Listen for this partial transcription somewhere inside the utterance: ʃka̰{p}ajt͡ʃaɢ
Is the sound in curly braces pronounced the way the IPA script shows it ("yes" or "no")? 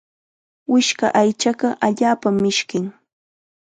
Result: no